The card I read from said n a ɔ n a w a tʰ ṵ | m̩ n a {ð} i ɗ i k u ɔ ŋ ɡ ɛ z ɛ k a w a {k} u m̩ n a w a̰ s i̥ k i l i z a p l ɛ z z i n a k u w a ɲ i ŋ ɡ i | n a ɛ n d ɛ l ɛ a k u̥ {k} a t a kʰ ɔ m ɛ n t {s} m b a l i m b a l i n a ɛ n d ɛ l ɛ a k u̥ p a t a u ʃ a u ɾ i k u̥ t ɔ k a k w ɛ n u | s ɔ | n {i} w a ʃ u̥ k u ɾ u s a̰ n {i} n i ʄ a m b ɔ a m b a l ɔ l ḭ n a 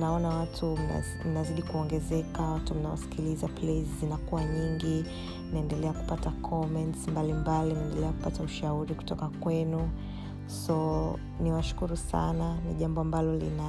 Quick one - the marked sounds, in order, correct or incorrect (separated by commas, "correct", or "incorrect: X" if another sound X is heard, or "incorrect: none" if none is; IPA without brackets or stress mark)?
incorrect: z, incorrect: t, incorrect: p, correct, correct, incorrect: a